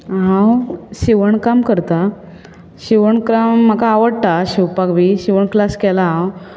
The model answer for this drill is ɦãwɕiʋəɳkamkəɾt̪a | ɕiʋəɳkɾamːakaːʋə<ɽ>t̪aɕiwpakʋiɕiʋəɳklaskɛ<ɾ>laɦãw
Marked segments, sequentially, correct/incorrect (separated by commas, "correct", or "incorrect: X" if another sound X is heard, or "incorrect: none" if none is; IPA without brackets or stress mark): correct, incorrect: none